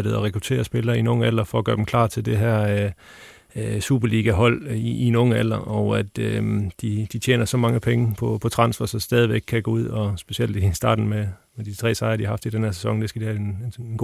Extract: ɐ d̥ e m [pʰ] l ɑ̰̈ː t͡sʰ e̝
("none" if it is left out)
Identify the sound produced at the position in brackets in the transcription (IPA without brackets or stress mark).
kʰ